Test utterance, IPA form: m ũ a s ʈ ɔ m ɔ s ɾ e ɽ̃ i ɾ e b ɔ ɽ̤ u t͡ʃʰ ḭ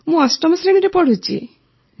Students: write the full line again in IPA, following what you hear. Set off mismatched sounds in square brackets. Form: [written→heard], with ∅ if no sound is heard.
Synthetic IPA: m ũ a s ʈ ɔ m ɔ s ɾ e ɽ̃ i ɾ e [b→p] ɔ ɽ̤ u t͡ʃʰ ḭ